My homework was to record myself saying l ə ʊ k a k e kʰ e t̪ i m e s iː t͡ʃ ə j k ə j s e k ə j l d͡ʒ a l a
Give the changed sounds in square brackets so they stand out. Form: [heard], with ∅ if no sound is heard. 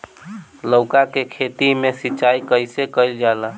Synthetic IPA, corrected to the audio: l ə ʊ k a k e kʰ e t̪ i m e s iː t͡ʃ [a] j k ə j s e k ə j l d͡ʒ a l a